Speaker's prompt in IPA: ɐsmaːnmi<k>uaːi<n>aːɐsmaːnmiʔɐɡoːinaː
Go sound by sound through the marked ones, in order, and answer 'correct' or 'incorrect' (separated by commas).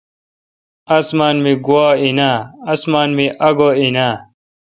incorrect, correct